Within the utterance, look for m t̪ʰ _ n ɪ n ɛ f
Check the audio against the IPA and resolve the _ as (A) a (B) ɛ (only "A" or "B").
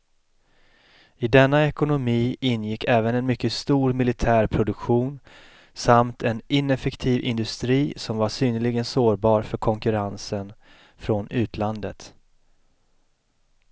B